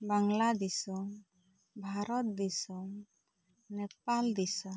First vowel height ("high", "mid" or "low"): low